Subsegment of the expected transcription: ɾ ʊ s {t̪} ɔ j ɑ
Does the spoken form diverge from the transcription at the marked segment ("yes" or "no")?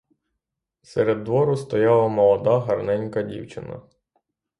no